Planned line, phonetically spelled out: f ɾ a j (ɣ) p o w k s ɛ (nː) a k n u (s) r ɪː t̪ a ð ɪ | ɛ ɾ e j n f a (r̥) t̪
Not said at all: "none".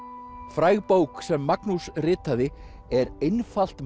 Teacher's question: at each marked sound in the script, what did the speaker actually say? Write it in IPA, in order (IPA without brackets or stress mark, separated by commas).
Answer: ɣ, mː, s, l̥